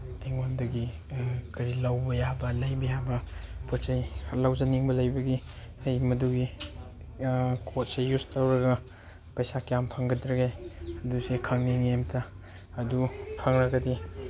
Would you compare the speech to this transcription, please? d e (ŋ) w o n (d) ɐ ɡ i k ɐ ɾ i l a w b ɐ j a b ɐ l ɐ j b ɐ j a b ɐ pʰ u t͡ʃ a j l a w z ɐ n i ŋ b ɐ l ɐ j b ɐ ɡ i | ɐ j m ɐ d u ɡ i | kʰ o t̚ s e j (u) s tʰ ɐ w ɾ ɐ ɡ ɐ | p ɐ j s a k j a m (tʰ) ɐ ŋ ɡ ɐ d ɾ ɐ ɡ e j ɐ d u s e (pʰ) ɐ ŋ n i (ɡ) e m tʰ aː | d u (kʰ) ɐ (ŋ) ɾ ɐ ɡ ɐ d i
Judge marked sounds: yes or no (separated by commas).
yes, yes, yes, no, no, no, no, yes